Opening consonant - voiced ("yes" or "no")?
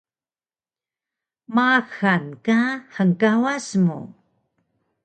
yes